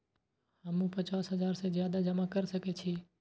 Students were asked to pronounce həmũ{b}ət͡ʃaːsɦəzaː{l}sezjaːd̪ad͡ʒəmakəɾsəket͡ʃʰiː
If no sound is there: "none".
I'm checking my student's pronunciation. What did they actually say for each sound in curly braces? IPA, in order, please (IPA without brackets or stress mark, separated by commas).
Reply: p, ɾ